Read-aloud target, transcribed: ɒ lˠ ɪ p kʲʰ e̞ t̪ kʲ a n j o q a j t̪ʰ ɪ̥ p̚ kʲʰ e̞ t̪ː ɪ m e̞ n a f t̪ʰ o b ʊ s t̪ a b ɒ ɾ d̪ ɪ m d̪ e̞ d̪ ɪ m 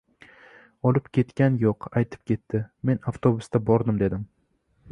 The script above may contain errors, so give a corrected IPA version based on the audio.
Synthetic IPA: ɒ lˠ ɪ p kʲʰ e̞ t̪ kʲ a n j o q a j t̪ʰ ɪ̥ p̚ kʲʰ e̞ t̪ː ɪ m e̞ n a f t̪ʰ o b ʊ s t̪ a b ɒ ɾ d̪ ɪ m d̪ e̞ d̪ ɪ m